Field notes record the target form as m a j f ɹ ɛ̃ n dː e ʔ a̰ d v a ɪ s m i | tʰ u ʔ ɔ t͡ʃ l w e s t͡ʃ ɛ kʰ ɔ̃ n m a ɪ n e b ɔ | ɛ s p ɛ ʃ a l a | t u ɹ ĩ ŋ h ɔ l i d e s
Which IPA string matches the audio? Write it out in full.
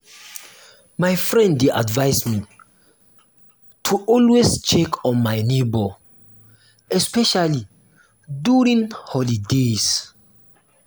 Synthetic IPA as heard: m a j f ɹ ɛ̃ n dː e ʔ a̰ d v a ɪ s m i | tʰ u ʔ ɔ l w e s t͡ʃ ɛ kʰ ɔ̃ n m a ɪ n e b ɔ | ɛ s p ɛ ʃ a l i | d u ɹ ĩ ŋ h ɔ l i d e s